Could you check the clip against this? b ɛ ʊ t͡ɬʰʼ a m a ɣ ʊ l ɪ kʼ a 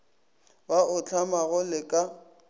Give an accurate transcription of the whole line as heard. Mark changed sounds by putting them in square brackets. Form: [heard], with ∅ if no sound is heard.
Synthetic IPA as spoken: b [a] ʊ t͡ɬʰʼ a m a ɣ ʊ l ɪ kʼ a